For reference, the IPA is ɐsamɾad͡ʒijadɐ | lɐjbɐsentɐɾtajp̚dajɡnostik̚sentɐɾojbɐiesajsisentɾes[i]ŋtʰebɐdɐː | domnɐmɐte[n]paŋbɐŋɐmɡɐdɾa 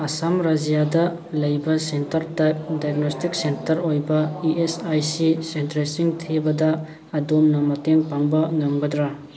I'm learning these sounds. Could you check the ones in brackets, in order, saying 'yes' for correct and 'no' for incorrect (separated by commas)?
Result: yes, no